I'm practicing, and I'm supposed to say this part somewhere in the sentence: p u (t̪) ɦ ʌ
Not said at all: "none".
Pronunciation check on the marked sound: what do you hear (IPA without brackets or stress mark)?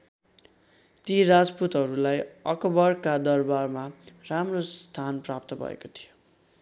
t̪